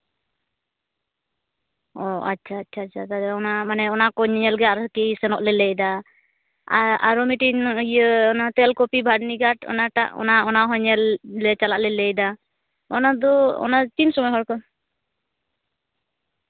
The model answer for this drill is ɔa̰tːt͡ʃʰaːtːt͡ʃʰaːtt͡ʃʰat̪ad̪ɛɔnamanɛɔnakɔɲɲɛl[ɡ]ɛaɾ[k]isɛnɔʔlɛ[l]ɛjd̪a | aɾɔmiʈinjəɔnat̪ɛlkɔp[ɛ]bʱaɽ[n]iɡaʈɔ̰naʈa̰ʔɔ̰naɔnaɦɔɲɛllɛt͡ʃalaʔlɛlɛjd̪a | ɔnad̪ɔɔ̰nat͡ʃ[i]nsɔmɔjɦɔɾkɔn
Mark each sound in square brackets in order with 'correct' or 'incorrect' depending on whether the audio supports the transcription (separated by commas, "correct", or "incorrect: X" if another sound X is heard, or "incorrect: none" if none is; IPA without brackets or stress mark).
correct, correct, correct, incorrect: i, correct, correct